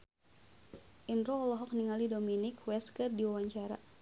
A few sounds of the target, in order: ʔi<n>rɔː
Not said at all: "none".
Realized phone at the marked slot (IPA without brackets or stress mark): n